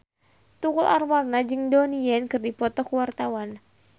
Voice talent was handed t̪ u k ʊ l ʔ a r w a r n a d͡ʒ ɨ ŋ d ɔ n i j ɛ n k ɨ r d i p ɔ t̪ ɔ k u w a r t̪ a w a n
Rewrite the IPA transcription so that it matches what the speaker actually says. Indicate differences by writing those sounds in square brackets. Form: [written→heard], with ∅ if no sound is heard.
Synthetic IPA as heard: t̪ u k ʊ l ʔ a r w a r n a d͡ʒ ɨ ŋ d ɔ n i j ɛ n k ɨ r d i p ɔ t̪ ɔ k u w a r t̪ a w a n